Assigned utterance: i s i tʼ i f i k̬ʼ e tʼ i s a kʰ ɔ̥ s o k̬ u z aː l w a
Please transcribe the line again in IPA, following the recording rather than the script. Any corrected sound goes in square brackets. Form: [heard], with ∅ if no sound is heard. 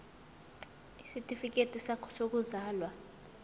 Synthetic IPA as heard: i s i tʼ i f i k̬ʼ e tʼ i s a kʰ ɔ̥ s o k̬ u z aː l w a